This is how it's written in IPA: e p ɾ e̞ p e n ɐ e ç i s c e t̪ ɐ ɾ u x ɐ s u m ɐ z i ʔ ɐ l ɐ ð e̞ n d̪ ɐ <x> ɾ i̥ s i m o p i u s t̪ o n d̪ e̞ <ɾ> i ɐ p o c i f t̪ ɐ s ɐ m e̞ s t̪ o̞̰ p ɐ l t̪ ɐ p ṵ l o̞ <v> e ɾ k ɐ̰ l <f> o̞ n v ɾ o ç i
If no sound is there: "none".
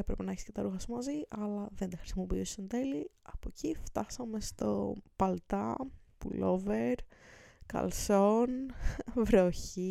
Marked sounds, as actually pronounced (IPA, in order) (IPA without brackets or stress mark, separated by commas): x, l, v, s